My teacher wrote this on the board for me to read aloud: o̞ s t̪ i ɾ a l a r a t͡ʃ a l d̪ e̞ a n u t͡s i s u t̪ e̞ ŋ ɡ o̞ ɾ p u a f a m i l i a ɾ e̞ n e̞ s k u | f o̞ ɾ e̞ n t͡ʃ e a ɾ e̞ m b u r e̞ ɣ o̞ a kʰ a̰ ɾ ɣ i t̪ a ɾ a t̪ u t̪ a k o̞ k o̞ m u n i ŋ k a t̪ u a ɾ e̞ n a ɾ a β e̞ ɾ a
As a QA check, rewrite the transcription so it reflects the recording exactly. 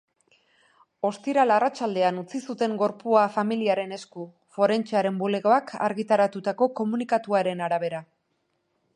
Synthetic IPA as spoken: o̞ s t̪ i ɾ a l a r a t͡ʃ a l d̪ e̞ a n u t͡s i s u t̪ e̞ ŋ ɡ o̞ ɾ p u a f a m i l i a ɾ e̞ n e̞ s k u | f o̞ ɾ e̞ n t͡ʃ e a ɾ e̞ m b u l e̞ ɣ o̞ a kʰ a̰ ɾ ɣ i t̪ a ɾ a t̪ u t̪ a k o̞ k o̞ m u n i k a t̪ u a ɾ e̞ n a ɾ a β e̞ ɾ a